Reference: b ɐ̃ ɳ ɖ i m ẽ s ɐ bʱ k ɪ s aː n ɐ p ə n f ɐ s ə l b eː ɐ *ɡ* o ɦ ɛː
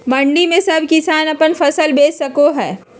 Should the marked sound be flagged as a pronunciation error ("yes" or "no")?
yes